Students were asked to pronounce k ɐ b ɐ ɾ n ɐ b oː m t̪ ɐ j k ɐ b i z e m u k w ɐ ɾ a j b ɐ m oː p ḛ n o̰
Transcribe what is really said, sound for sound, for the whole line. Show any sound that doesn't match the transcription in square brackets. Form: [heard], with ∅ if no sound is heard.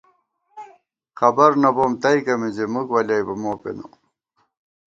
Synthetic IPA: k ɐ b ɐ ɾ n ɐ b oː m t̪ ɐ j k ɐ [m] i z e m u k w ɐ [l] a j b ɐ m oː p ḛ n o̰